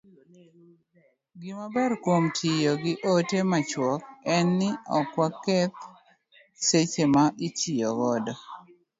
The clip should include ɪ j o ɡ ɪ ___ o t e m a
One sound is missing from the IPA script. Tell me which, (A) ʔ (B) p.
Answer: A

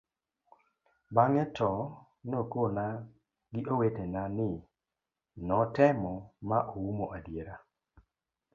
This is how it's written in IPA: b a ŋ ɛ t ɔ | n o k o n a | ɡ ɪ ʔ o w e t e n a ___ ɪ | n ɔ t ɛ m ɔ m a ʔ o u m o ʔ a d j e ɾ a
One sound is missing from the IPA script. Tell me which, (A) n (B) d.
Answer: A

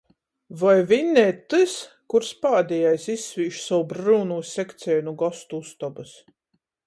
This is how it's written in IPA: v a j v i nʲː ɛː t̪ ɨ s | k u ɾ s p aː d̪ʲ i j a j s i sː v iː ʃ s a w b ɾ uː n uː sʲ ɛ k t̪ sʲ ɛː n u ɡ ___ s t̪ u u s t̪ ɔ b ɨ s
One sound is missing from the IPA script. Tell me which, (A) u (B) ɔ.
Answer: B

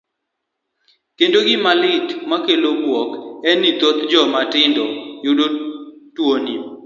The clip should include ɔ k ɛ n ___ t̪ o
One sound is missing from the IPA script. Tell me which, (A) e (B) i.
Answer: B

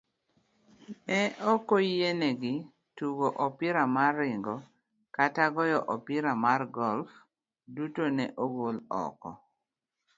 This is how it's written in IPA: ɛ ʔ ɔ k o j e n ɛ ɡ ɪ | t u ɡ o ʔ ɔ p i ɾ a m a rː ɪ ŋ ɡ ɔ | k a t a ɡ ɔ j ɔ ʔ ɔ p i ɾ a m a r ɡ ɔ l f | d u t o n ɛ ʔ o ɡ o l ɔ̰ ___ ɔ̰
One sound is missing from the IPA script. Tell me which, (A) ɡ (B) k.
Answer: B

